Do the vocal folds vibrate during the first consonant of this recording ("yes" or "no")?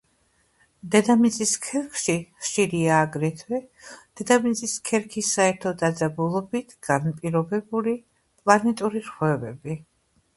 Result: yes